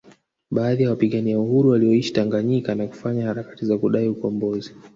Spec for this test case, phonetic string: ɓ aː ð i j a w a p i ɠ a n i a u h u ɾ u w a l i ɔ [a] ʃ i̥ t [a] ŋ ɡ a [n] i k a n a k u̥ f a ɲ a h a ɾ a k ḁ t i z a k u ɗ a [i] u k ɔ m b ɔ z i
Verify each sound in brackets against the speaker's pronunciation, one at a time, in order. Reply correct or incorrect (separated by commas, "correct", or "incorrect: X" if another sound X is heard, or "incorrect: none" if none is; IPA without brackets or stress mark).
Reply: incorrect: i, correct, incorrect: ɲ, correct